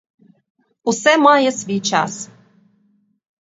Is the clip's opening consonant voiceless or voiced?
voiceless